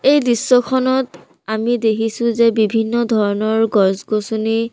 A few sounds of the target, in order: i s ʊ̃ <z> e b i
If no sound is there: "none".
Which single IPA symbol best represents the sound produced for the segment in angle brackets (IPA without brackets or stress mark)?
z